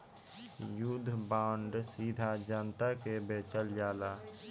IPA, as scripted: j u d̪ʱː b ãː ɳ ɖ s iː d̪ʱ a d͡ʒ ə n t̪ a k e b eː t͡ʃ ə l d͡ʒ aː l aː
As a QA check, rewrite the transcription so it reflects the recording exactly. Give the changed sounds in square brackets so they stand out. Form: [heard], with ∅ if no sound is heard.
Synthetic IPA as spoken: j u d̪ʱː b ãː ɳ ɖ s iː d̪ʱ a d͡ʒ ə n t̪ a k e b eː t͡ʃ ə l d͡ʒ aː l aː

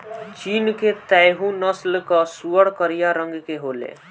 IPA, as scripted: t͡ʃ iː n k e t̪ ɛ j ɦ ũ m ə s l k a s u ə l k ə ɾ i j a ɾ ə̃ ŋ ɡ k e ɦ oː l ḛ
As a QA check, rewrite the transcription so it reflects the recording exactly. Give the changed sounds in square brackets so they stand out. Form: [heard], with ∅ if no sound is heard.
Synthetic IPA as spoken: t͡ʃ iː n k e t̪ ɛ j ɦ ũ [n] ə s l k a s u ə [ɽ] k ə ɾ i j a ɾ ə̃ ŋ ɡ k e ɦ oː l ḛ

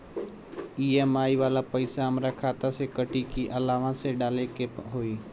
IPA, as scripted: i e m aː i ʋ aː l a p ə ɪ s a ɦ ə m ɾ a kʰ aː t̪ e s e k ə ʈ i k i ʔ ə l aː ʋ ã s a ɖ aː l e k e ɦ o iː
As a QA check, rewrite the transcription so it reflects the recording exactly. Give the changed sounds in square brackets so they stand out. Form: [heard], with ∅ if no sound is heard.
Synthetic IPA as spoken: i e m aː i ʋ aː l a p ə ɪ s a ɦ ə m ɾ a kʰ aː t̪ [a] s e k ə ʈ i k i ʔ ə l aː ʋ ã s [e] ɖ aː l e k e ɦ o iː

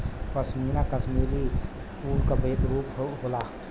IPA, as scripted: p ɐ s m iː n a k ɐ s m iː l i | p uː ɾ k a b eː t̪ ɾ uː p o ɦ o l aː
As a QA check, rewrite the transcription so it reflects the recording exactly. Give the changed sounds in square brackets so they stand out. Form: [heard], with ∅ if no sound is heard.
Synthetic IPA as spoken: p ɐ s m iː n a k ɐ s m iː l i | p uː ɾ k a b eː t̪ ɾ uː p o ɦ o l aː

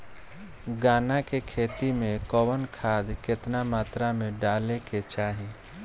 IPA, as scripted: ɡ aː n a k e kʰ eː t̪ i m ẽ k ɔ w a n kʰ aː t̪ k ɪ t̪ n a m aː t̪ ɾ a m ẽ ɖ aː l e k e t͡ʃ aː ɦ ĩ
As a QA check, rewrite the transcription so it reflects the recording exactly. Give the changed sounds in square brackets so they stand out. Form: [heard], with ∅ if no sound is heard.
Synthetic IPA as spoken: ɡ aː n a k e kʰ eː t̪ i m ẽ k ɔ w [ə] n kʰ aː [d̪] k ɪ t̪ n a m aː t̪ ɾ a m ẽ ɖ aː l e k e t͡ʃ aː ɦ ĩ

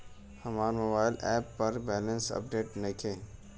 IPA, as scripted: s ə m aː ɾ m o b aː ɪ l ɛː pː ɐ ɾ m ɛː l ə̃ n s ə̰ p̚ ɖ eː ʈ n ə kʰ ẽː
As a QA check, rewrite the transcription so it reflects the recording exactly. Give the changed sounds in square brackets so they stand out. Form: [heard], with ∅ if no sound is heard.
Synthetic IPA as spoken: [h] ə m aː ɾ m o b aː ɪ l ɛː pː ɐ ɾ [b] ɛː l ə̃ n s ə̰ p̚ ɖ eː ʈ n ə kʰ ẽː

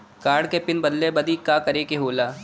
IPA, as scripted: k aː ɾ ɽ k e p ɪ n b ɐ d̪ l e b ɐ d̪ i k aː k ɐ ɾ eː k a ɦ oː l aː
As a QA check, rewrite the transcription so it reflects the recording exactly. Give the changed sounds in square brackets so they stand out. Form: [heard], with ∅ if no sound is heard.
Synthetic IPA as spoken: k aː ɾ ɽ k e p ɪ n b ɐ d̪ l e b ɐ d̪ i k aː k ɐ ɾ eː k [e] ɦ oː l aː

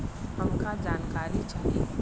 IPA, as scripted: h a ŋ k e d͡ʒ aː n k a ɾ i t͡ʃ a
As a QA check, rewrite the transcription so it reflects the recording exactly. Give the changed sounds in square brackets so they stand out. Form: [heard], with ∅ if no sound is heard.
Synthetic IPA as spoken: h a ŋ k [a] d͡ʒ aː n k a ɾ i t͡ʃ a

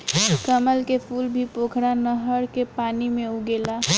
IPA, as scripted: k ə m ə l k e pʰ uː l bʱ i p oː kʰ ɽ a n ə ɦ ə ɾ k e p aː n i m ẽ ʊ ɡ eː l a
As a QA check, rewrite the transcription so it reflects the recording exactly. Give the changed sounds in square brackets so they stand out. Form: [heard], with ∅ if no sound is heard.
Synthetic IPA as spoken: k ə m ə l k e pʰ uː l bʱ i p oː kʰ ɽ a n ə ɦ ə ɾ k e p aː n i m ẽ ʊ ɡ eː l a

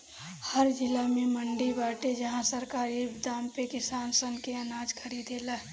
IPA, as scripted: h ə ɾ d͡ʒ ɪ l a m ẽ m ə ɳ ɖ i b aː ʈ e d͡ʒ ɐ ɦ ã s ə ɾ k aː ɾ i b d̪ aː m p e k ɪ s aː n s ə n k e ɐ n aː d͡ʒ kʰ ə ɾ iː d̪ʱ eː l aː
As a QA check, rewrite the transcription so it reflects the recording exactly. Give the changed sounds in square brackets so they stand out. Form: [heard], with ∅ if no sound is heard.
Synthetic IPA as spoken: h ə ɾ d͡ʒ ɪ l a m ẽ m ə ɳ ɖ i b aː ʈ e d͡ʒ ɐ ɦ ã s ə ɾ k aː ɾ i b d̪ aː m p e k ɪ s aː n s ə n k e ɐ n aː d͡ʒ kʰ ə ɾ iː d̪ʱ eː l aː

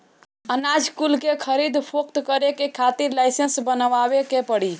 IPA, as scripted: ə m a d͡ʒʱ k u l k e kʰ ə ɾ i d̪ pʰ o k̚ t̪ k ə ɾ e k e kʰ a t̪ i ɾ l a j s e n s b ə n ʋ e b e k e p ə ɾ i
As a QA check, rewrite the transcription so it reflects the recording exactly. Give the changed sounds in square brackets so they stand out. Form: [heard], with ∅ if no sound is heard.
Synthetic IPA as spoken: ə [n] a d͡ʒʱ k u l k e kʰ ə ɾ i d̪ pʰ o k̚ t̪ k ə ɾ e k e kʰ a t̪ i ɾ l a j s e n s b ə n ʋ [a] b e k e p ə [ɽ] i

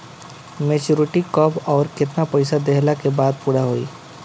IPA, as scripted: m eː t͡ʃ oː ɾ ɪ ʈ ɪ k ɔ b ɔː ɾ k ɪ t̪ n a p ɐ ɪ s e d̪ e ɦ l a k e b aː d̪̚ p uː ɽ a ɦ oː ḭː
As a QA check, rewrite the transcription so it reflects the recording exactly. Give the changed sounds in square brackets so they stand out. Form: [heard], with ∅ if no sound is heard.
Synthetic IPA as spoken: m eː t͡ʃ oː ɾ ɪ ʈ [i] k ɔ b ɔː ɾ k ɪ t̪ n a p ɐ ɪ s [a] d̪ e ɦ l a k e b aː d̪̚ p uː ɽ a ɦ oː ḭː

